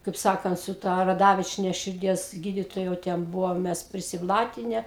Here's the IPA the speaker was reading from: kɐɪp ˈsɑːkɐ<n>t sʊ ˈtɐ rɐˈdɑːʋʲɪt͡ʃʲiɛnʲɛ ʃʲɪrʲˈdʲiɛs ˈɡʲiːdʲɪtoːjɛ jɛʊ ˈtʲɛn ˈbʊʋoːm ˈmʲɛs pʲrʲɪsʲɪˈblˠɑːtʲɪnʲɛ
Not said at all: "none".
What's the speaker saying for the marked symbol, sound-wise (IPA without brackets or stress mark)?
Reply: n